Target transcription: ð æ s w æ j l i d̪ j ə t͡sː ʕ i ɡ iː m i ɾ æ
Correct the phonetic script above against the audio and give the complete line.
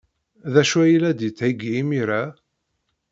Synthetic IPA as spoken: ð æ ʃ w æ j l æ d̪ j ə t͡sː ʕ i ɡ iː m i ɾ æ